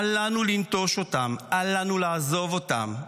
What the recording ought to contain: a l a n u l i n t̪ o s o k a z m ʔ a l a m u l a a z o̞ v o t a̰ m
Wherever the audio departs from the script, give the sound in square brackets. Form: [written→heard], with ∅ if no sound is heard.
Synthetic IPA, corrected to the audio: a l a n u l i n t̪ o [s→ʃ] o [k→t] a [z→∅] m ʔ a l a [m→n] u l a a z o̞ v o t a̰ m